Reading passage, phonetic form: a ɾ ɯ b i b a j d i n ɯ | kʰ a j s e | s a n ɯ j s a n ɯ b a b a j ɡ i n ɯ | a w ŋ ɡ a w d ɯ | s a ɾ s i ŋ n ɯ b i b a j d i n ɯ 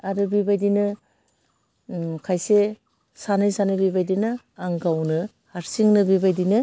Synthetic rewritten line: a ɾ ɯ b i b a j d i n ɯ | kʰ a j s e | s a n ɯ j s a n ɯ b i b a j d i n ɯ | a ŋ ɡ a w n ɯ | h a ɾ s i ŋ n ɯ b i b a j d i n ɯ